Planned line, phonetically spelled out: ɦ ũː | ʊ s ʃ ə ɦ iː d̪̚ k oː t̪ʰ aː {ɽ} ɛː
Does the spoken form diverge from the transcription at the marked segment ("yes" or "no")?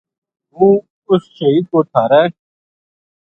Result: yes